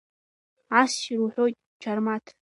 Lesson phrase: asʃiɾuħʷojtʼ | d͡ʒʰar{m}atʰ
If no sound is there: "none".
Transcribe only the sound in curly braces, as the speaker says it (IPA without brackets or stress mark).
m